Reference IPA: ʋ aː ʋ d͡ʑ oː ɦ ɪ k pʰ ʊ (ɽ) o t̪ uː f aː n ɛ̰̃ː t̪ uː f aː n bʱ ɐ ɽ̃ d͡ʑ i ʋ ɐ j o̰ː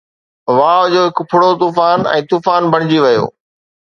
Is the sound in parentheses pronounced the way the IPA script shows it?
yes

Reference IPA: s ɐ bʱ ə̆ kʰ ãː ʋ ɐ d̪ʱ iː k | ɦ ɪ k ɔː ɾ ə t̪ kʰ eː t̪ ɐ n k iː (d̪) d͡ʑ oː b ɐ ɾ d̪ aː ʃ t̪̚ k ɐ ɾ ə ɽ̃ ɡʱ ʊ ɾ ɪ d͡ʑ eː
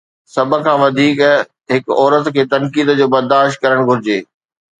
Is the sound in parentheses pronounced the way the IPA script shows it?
yes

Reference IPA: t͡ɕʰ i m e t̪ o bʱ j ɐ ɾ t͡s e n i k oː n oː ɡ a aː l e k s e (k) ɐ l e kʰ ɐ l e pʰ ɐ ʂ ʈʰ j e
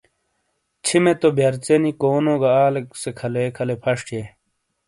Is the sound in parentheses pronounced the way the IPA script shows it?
no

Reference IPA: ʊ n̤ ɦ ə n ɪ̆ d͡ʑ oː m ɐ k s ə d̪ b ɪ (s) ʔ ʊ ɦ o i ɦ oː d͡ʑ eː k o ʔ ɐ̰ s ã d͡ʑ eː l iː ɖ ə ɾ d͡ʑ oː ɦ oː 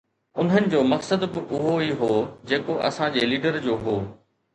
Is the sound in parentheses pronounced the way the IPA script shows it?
no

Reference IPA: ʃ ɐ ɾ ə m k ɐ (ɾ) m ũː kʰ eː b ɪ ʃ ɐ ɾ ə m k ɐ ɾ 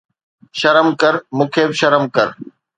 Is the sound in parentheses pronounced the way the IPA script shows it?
yes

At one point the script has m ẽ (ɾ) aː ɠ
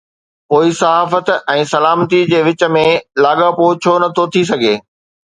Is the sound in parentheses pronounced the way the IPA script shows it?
no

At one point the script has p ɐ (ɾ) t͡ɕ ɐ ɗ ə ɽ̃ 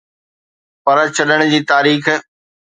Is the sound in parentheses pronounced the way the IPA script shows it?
yes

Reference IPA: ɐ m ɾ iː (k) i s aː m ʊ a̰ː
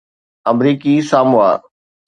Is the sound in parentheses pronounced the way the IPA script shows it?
yes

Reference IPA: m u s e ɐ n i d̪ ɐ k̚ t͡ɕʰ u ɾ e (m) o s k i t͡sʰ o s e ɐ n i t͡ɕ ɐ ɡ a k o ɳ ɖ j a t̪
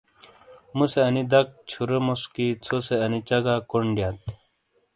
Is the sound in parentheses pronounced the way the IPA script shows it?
yes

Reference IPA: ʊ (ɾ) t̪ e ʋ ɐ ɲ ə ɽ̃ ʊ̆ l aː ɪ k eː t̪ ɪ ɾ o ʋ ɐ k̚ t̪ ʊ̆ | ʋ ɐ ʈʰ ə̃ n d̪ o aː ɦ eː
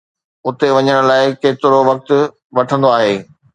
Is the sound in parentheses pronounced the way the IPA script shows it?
no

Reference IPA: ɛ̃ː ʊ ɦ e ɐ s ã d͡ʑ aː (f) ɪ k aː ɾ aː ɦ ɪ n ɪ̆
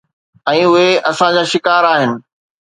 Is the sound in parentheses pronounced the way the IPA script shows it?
no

